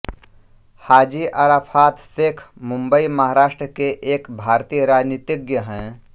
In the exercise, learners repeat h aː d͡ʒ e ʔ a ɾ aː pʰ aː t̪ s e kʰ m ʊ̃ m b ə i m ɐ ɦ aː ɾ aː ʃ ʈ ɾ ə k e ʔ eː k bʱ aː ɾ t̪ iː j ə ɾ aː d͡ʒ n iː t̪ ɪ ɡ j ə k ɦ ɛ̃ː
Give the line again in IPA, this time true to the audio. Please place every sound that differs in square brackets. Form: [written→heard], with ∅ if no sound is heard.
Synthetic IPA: h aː d͡ʒ [e→i] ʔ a ɾ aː pʰ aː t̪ s e kʰ m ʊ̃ m b ə i m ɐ ɦ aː ɾ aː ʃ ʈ ɾ ə k e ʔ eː k bʱ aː ɾ t̪ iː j ə ɾ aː d͡ʒ n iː t̪ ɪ ɡ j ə [k→∅] ɦ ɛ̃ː